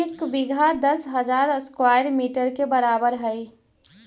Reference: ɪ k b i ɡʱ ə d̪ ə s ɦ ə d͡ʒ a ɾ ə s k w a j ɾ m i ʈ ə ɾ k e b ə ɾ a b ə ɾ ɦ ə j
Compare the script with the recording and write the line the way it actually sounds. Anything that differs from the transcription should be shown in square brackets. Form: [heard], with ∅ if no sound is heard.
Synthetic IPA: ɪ k b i ɡʱ [a] d̪ ə s ɦ ə d͡ʒ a ɾ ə s k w a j ɾ m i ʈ ə ɾ k e b ə ɾ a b ə ɾ ɦ ə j